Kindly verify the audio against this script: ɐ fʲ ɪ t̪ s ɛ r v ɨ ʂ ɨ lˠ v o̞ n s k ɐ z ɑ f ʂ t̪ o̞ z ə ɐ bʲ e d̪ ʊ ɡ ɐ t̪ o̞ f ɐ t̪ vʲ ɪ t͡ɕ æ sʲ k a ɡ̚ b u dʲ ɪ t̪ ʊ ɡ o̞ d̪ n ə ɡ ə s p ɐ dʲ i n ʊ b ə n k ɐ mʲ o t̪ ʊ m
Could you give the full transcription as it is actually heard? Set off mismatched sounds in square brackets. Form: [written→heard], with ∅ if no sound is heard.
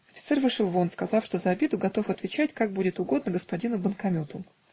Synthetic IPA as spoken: ɐ fʲ ɪ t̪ s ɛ r v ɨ ʂ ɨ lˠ v o̞ n s k ɐ z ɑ f ʂ t̪ o̞ z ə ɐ bʲ e d̪ ʊ ɡ ɐ t̪ o̞ f ɐ t̪ vʲ ɪ t͡ɕ æ [sʲ→tʲ] k a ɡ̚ b u dʲ ɪ t̪ ʊ ɡ o̞ d̪ n ə ɡ ə s p ɐ dʲ i n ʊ b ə n k ɐ mʲ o t̪ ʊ m